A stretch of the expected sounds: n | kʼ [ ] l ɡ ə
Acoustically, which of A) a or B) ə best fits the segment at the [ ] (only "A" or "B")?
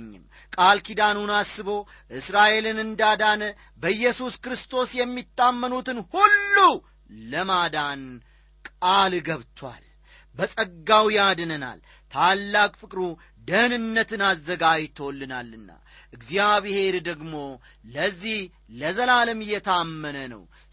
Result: A